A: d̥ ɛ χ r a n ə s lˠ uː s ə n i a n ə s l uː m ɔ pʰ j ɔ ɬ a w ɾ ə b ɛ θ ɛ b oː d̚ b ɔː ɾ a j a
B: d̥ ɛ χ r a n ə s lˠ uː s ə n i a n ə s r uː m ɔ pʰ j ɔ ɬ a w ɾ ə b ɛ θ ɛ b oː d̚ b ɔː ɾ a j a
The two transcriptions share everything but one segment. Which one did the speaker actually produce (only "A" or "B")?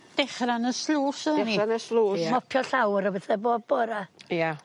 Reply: A